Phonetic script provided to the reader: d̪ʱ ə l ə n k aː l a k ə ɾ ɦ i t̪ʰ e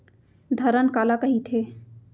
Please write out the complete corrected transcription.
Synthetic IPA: d̪ʱ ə ɾ ə n k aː l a k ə ɦ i t̪ʰ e